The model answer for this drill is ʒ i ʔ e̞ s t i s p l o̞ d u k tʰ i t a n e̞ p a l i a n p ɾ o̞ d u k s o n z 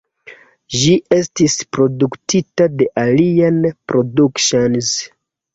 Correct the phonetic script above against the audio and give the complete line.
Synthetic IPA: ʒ i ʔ e̞ s t i s p ɾ o̞ d u k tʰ i t a d e̞ ʔ a l i a n p ɾ o̞ d u k ʃ o n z